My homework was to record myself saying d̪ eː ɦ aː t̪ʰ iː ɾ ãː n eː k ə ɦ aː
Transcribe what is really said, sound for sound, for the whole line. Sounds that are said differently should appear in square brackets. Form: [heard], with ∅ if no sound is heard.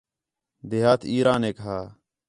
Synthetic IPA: d̪ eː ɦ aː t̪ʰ iː ɾ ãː n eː k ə ɦ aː

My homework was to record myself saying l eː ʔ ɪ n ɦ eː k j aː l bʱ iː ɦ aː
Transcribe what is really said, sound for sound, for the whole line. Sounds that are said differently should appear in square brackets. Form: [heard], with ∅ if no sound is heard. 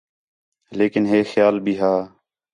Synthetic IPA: l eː [k] ɪ n ɦ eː [x] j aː l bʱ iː ɦ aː

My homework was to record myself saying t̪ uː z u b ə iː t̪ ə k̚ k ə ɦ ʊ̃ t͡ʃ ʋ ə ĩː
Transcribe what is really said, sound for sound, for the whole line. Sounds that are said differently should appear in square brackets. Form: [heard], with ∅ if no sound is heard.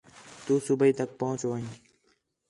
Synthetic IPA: t̪ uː [s] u b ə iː t̪ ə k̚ [p] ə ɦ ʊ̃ t͡ʃ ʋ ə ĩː

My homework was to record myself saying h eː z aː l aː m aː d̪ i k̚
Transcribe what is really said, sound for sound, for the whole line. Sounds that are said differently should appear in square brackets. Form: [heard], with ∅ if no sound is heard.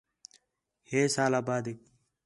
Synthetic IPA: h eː [s] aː l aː [b] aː d̪ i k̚

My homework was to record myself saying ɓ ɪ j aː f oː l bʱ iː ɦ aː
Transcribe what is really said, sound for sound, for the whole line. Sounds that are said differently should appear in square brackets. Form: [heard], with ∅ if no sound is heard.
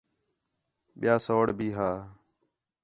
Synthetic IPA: ɓ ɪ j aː [s] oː [ɽ] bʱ iː ɦ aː

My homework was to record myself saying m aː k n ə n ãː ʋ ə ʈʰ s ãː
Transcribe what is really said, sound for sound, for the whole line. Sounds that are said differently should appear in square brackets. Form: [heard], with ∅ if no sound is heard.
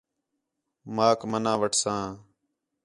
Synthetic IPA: m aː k [m] ə n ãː ʋ ə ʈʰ s ãː

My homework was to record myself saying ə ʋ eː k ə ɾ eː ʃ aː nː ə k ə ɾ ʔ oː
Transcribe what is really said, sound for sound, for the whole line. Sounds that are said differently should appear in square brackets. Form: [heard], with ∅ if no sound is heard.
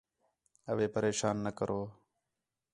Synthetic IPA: ə ʋ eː [p] ə ɾ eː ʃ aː nː ə k ə ɾ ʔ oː

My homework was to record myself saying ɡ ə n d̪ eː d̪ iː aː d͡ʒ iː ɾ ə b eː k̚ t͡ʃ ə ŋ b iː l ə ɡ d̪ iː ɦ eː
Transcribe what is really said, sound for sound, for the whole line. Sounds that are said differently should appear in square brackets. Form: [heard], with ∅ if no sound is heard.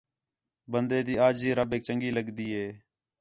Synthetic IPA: [b] ə n d̪ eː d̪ iː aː d͡ʒ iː ɾ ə b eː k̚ t͡ʃ ə ŋ [ɡ] iː l ə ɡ d̪ iː ɦ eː

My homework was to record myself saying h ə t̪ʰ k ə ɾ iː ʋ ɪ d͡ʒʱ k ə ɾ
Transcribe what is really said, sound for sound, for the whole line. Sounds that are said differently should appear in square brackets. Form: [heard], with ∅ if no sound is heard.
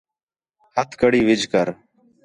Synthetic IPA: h ə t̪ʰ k ə [ɽ] iː ʋ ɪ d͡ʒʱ k ə ɾ

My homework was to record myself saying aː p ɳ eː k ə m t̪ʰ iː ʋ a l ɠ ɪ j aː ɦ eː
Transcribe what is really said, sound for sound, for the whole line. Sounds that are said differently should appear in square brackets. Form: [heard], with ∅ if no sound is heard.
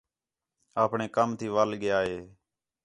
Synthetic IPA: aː p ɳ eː k ə m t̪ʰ iː ʋ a l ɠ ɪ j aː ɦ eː

